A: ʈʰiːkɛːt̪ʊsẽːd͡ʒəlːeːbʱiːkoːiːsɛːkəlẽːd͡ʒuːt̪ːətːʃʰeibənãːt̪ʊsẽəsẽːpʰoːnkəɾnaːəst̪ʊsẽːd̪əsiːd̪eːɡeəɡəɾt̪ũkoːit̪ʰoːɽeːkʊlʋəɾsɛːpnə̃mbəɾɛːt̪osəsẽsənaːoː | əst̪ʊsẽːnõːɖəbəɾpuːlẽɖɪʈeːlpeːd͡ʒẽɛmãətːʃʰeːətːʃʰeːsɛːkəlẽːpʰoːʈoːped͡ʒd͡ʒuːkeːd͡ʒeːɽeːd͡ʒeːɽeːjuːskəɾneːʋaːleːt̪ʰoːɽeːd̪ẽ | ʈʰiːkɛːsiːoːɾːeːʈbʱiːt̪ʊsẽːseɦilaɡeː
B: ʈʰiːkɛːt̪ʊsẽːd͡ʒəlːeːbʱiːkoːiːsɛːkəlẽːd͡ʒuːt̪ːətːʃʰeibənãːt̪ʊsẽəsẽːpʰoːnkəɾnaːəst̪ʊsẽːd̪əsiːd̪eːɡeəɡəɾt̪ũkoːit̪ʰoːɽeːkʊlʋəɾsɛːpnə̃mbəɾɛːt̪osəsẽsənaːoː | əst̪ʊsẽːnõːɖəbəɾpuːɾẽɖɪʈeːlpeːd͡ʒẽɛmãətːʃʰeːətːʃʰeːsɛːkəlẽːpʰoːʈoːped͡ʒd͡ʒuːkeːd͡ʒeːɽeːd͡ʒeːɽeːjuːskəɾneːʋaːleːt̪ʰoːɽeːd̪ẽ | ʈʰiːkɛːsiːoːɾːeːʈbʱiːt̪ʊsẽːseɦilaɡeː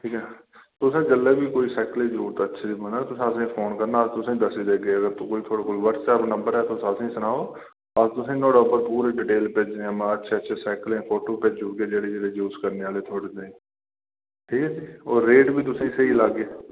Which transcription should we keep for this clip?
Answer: B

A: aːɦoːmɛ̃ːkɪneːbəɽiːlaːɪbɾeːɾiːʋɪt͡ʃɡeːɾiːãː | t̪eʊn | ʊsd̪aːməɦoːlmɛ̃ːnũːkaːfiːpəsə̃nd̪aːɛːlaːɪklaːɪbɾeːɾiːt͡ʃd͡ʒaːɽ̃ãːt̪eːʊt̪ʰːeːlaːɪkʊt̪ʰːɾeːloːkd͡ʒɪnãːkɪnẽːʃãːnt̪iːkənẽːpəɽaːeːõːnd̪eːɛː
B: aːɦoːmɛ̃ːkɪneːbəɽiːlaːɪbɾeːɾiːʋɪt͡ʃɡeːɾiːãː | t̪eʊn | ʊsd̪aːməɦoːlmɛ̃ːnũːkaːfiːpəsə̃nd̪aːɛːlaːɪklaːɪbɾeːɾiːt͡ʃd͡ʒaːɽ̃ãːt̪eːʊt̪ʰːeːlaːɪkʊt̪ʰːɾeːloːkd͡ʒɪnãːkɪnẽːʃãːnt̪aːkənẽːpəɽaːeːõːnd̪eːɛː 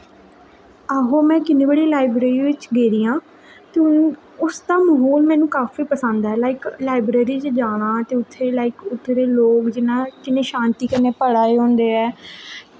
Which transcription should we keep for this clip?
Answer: A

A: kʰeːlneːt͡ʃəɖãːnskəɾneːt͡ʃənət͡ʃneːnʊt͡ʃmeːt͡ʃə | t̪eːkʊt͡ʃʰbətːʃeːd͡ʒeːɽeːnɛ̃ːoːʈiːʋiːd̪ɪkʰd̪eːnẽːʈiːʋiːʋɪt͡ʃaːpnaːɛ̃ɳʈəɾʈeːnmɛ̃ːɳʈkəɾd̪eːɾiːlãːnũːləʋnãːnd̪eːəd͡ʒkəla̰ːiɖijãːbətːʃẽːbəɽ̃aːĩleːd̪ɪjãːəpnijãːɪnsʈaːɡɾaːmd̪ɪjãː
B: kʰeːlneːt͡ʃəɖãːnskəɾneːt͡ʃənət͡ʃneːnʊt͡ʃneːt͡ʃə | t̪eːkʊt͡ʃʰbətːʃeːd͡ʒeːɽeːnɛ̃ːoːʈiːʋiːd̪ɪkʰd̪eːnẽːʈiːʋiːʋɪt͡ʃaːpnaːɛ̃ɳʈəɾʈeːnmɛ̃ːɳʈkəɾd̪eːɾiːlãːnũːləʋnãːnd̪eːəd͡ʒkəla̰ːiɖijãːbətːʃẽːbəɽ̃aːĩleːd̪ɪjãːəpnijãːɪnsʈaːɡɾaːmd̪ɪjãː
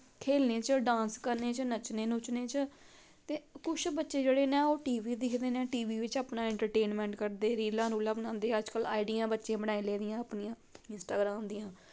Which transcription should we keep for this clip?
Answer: B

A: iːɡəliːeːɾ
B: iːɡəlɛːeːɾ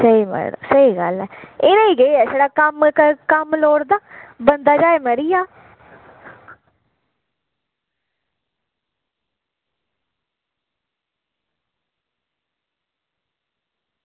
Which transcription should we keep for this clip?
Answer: B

